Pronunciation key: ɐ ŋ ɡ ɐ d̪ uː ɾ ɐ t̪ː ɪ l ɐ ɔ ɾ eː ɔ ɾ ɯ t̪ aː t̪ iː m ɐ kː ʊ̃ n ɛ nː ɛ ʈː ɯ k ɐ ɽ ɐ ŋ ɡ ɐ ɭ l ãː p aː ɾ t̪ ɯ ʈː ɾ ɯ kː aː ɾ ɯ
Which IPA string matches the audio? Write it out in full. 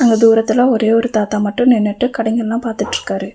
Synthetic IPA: ɐ ŋ ɡ ɐ d̪ uː ɾ ɐ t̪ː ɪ l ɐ ɔ ɾ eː ɔ ɾ ɯ t̪ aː t̪ aː m ɐ ʈː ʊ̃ n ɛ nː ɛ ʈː ɯ k ɐ ɽ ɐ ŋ ɡ ɐ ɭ l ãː p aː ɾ t̪ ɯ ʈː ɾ ɯ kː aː ɾ ɯ